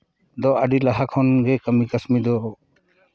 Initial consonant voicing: voiced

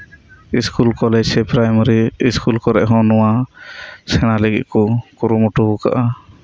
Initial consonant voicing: voiceless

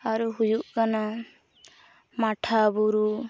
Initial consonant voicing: voiced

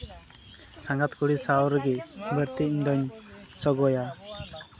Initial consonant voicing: voiceless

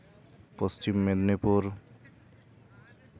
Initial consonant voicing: voiceless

